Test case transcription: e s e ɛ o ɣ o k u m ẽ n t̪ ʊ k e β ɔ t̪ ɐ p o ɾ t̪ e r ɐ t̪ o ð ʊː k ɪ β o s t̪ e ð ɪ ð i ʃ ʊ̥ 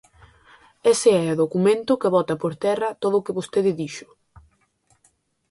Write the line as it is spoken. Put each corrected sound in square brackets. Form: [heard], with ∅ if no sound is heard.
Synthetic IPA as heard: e s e ɛ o [ð] o k u m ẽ n t̪ ʊ k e β ɔ t̪ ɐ p o ɾ t̪ [ɛ] r ɐ t̪ o ð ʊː k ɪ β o s t̪ e ð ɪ ð i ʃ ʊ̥